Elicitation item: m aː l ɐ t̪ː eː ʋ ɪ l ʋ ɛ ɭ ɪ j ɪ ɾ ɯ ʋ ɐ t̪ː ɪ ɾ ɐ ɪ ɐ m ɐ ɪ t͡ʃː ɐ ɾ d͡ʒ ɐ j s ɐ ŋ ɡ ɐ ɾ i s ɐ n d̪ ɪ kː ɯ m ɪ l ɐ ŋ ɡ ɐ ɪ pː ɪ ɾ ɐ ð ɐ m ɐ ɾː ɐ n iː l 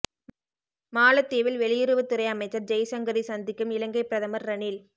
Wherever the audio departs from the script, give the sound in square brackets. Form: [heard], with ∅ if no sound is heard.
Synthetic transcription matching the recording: m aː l ɐ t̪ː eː ʋ ɪ l ʋ ɛ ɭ ɪ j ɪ ɾ ɯ ʋ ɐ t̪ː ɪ ɾ ɐ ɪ ɐ m ɐ ɪ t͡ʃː ɐ ɾ d͡ʒ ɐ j s ɐ ŋ ɡ ɐ ɾ i s ɐ n d̪ ɪ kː ɯ m ɪ l ɐ ŋ ɡ ɐ ɪ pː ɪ ɾ ɐ ð ɐ m ɐ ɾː ɐ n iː l